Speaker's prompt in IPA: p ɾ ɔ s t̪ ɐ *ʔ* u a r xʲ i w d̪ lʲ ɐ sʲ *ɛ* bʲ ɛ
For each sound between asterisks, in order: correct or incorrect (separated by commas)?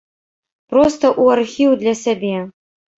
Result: correct, incorrect